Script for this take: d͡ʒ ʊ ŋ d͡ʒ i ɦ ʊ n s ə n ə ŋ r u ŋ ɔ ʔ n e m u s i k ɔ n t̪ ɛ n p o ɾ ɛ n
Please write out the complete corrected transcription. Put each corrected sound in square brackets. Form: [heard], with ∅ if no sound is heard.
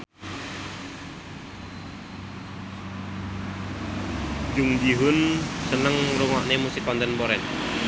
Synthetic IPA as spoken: d͡ʒ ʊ ŋ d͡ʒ i ɦ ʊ n s ə n ə ŋ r u ŋ ɔ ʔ n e m u s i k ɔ n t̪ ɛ n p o ɾ ɛ n